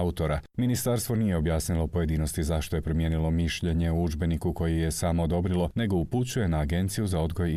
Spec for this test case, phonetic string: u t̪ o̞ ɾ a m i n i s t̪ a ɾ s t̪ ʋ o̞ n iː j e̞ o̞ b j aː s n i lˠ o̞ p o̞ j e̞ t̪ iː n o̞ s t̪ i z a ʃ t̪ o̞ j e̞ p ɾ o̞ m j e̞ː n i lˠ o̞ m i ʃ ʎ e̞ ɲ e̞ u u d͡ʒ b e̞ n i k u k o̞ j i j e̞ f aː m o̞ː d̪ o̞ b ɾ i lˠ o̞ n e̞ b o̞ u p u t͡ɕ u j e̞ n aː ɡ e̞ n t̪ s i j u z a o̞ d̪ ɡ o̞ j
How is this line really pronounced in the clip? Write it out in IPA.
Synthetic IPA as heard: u t̪ o̞ ɾ a m i n i s t̪ a ɾ s t̪ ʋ o̞ n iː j e̞ o̞ b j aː s n i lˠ o̞ p o̞ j e̞ d̪ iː n o̞ s t̪ i z a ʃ t̪ o̞ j e̞ p ɾ o̞ m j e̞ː n i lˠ o̞ m i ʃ ʎ e̞ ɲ e̞ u u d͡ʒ b e̞ n i k u k o̞ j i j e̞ s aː m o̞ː d̪ o̞ b ɾ i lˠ o̞ n e̞ ɡ o̞ u p u t͡ɕ u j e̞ n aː ɡ e̞ n t̪ s i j u z a o̞ d̪ ɡ o̞ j